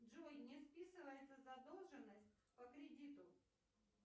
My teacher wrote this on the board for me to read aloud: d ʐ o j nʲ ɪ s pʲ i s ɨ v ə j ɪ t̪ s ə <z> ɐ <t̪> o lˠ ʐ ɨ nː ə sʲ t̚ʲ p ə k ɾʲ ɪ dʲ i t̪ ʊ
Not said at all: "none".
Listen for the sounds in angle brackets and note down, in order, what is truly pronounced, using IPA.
z, d̪

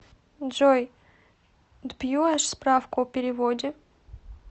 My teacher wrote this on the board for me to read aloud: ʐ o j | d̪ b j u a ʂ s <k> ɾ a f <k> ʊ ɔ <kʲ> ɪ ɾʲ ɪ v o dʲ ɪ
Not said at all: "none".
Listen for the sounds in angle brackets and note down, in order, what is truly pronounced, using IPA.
p, k, pʲ

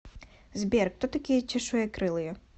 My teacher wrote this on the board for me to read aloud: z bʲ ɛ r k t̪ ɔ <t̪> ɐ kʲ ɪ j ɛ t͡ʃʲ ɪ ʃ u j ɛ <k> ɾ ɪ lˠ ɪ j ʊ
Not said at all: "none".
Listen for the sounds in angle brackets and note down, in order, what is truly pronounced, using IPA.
t̪, k

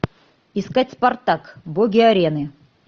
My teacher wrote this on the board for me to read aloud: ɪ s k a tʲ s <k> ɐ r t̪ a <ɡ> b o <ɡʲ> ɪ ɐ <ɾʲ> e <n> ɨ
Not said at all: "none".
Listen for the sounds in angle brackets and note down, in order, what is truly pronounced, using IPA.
p, k, ɡʲ, ɾʲ, n

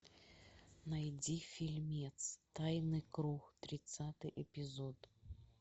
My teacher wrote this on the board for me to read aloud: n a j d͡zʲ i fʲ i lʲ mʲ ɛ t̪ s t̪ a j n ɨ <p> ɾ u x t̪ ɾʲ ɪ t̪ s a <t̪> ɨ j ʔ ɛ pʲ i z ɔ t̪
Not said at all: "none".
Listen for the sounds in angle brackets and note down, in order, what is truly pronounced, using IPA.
k, t̪

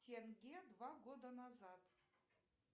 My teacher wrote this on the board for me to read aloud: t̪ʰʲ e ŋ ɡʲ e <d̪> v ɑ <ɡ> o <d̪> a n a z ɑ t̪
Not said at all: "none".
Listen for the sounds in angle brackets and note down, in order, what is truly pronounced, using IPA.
d̪, ɡ, d̪

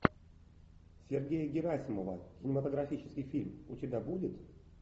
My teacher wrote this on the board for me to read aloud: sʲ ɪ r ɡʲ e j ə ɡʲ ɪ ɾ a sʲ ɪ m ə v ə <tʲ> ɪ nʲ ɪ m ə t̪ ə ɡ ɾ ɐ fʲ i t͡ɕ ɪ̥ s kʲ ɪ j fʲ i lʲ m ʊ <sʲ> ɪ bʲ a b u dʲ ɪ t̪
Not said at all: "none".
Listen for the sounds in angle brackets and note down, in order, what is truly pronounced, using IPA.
kʲ, tʲ

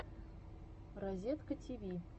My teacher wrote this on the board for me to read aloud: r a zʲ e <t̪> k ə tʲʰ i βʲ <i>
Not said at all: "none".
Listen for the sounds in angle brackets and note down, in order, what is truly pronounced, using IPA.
t̪, i

